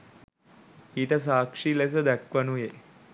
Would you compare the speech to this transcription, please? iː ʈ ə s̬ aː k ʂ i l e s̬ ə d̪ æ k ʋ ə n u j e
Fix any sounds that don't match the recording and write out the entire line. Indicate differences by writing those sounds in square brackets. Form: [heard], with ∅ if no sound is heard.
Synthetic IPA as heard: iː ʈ ə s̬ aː k ʂ i l e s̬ ə d̪ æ k ʋ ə n u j e